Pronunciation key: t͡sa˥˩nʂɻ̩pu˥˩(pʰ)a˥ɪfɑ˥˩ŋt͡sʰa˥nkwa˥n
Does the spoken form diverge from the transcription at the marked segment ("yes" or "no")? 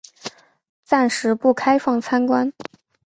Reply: yes